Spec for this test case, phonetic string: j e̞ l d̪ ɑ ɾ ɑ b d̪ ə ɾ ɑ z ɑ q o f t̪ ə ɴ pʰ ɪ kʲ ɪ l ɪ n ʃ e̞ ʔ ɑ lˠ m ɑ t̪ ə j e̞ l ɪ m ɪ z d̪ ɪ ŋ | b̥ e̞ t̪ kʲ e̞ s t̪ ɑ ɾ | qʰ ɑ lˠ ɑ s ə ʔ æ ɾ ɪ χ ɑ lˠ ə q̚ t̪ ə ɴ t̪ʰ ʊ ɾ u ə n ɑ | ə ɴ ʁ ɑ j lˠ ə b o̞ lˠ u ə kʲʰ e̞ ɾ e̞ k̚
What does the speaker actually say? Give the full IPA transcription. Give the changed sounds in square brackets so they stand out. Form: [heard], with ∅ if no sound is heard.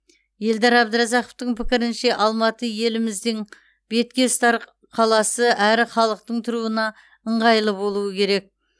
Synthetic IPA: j e̞ l d̪ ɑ ɾ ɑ b d̪ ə ɾ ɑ z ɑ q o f t̪ ə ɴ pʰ ɪ kʲ ɪ [ɾ] ɪ n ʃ e̞ ʔ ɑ lˠ m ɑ t̪ ə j e̞ l ɪ m ɪ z d̪ ɪ ŋ | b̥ e̞ t̪ kʲ e̞ s t̪ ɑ ɾ | qʰ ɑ lˠ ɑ s ə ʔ æ ɾ ɪ χ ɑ lˠ ə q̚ t̪ ə ɴ t̪ʰ ʊ ɾ u ə n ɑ | ə ɴ ʁ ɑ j lˠ ə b o̞ lˠ u ə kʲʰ e̞ ɾ e̞ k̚